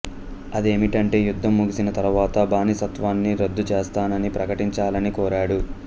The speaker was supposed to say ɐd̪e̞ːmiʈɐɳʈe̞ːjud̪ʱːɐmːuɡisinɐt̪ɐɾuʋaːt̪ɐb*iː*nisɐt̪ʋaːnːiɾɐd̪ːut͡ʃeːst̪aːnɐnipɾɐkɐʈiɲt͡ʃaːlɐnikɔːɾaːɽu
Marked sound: incorrect: aː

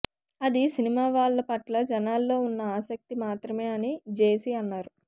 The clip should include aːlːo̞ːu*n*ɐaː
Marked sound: incorrect: nː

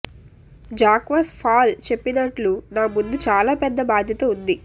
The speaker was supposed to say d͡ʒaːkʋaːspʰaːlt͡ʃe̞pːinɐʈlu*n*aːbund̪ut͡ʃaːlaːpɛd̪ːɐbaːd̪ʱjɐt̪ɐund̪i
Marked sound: correct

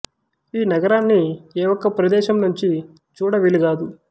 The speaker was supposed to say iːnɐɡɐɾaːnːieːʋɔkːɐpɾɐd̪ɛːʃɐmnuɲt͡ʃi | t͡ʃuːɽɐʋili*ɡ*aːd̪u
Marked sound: correct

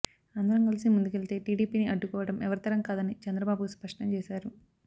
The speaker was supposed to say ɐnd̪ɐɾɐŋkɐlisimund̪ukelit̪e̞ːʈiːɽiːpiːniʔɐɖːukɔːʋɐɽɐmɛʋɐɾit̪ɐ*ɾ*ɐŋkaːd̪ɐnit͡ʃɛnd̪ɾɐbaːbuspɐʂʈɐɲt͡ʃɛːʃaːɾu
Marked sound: correct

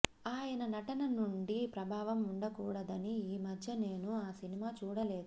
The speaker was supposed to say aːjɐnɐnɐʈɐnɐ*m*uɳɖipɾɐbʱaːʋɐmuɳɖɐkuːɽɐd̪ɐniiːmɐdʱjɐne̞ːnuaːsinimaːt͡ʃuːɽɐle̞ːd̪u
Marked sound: incorrect: n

